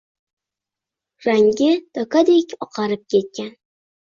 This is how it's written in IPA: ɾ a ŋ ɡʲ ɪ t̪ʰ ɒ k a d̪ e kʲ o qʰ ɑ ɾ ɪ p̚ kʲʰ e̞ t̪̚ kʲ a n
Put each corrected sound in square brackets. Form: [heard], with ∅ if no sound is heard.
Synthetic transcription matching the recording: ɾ a ŋ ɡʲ ɪ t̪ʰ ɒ k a d̪ e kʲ [ɒ] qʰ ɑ ɾ ɪ p̚ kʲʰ e̞ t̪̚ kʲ a n

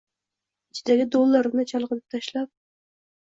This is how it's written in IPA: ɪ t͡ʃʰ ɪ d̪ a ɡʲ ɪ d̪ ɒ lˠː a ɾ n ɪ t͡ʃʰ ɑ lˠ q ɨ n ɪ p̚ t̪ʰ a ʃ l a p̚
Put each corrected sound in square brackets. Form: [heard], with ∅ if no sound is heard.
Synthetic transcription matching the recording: ɪ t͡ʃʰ ɪ d̪ a ɡʲ ɪ d̪ [o] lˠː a ɾ n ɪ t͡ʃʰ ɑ lˠ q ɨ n ɪ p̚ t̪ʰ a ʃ l a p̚

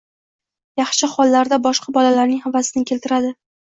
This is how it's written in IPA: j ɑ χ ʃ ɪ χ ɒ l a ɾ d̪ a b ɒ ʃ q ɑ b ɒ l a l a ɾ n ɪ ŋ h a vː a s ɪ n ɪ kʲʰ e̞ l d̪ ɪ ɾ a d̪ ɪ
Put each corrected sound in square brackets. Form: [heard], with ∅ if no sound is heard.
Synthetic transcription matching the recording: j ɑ χ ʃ ɪ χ ɒ [lː] a ɾ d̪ a b ɒ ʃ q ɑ b ɒ l a l a ɾ n ɪ ŋ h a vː a s ɪ n ɪ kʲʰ e̞ l [t̪] ɪ ɾ a d̪ ɪ

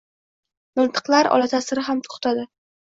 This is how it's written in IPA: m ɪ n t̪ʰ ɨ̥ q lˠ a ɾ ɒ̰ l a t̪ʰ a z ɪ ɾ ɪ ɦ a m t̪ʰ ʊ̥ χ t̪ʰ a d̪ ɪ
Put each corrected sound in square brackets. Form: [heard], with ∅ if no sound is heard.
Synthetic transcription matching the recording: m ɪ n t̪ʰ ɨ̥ q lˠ a ɾ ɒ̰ l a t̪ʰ a [s] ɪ ɾ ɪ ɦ a m t̪ʰ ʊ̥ χ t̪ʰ a d̪ ɪ

